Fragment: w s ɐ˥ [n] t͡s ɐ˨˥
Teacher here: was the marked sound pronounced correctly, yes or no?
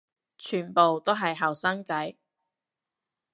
no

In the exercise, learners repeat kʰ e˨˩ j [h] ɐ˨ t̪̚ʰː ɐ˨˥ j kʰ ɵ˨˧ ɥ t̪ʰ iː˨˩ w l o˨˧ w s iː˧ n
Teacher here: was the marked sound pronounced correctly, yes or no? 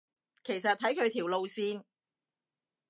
no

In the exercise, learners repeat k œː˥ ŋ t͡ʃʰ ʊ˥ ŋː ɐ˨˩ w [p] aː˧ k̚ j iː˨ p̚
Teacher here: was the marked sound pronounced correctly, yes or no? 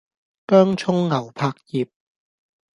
no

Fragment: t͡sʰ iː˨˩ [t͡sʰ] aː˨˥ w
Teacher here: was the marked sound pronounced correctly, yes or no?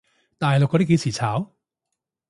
yes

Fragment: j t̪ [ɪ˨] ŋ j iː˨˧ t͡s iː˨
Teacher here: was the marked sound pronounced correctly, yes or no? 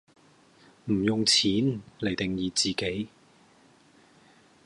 yes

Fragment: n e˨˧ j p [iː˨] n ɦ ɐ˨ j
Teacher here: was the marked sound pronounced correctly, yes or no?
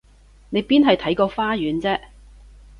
no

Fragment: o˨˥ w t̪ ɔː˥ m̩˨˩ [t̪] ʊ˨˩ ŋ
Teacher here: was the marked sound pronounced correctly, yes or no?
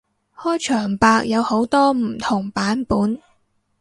no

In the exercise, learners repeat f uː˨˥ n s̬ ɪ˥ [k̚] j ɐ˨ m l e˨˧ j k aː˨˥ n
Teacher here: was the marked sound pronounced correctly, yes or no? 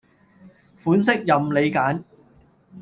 yes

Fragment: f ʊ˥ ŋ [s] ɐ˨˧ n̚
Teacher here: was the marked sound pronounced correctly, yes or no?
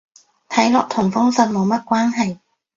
yes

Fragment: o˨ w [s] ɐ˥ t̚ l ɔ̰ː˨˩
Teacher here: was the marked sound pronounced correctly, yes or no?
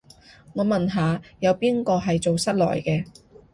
yes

